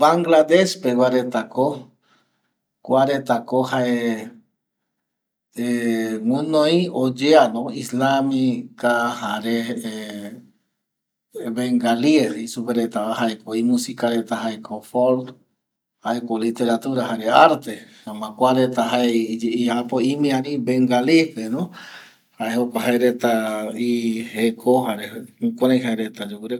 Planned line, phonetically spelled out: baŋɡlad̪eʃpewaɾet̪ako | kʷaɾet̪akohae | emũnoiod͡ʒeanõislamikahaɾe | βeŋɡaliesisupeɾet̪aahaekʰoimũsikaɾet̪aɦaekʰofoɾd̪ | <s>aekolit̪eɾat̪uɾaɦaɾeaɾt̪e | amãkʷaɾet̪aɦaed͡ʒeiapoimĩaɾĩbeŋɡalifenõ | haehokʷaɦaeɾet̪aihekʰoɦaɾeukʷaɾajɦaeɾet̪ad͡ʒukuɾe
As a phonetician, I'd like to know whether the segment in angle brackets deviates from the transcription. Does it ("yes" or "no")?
yes